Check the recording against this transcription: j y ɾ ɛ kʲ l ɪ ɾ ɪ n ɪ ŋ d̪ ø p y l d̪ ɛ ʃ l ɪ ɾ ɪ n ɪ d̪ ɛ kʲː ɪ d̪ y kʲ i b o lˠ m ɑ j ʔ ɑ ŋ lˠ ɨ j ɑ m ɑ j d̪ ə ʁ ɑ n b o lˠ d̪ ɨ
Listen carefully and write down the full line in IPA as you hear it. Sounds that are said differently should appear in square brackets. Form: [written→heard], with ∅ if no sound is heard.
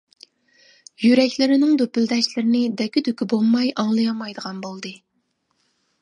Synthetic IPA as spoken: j y ɾ ɛ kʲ l ɪ ɾ ɪ n ɪ ŋ d̪ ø p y l d̪ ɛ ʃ l ɪ ɾ ɪ n ɪ d̪ ɛ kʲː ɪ d̪ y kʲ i b o lˠ m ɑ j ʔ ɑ ŋ lˠ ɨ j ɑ m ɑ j d̪ ə ʁ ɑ n b o lˠ d̪ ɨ